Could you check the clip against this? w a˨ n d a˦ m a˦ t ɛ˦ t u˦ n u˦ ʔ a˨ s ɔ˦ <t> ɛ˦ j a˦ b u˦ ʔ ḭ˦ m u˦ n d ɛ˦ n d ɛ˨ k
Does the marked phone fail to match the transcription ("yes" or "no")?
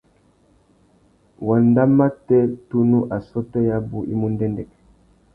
no